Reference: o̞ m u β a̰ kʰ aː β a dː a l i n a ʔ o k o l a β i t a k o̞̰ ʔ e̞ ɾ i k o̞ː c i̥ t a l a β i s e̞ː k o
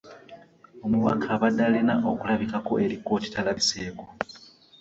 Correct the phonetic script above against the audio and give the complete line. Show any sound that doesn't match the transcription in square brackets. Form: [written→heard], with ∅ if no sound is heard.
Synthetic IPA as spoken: o̞ m u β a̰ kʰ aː β a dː a l i n a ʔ o k [o→u] l a β i [t→k] a k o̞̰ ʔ e̞ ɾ i k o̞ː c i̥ t a l a β i s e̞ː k o